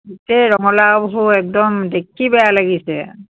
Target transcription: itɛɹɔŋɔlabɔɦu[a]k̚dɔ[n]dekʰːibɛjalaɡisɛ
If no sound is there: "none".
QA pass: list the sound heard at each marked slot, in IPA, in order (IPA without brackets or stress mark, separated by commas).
ɛ, m